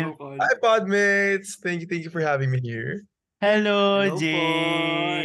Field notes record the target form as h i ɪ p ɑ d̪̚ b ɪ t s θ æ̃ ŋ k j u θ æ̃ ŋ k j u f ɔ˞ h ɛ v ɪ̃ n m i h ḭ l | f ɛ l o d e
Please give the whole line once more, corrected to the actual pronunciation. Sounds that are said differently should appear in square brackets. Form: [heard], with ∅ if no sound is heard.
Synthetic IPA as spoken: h [a] ɪ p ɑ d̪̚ [m] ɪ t s θ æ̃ ŋ k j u θ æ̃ ŋ k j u f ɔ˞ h [æ] v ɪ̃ [ŋ] m i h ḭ [ɹ] | [h] ɛ l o [d͡ʒ] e